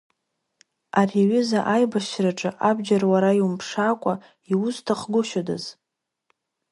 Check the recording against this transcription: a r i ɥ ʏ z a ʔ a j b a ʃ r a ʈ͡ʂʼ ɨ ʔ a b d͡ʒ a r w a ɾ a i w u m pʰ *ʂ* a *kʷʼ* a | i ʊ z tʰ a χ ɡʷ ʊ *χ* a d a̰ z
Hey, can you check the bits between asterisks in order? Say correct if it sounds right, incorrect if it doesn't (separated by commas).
correct, correct, incorrect